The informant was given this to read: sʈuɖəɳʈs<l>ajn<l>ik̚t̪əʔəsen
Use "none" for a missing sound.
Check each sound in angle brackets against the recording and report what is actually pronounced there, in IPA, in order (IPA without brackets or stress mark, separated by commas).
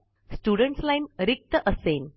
l, ɾ